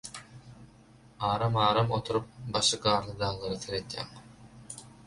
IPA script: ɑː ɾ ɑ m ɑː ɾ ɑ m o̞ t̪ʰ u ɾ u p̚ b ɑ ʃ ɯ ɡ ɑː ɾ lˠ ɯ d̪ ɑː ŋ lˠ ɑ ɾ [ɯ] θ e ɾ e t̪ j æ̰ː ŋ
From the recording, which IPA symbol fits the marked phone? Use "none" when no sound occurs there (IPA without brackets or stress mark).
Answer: ɯ